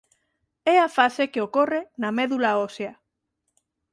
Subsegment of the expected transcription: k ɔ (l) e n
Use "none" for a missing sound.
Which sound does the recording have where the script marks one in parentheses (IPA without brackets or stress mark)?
r